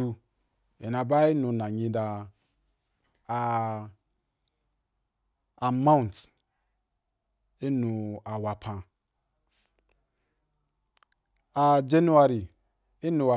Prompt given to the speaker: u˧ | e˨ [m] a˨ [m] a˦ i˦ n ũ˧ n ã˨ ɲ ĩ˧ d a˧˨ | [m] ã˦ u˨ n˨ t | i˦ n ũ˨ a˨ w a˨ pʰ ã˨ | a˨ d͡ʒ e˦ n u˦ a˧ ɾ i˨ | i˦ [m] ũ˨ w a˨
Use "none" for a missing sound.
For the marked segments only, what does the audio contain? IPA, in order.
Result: n, b, m, n

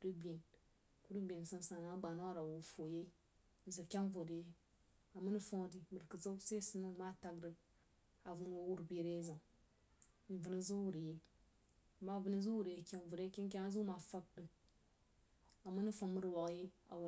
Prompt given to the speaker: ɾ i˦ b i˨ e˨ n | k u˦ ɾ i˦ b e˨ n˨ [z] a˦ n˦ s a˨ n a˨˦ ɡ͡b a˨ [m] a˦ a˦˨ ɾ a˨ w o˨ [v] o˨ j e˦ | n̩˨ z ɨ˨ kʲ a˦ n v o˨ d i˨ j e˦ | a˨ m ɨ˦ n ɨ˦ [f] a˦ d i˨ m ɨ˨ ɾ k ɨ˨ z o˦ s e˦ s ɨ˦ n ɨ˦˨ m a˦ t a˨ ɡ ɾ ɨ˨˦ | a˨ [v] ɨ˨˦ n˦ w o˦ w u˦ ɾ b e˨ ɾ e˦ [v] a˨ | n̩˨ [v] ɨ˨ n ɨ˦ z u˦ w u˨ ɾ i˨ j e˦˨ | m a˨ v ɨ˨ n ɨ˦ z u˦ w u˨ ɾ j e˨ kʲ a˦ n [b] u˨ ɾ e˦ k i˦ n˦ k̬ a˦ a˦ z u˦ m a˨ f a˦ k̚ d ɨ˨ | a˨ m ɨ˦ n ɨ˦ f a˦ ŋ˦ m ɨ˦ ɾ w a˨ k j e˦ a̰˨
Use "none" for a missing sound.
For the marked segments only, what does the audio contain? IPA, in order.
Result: s, n, f, f, v, z, v, v

